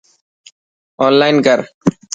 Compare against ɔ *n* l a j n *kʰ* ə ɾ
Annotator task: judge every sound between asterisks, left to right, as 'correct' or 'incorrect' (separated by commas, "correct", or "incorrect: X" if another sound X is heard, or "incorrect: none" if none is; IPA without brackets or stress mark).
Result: correct, incorrect: k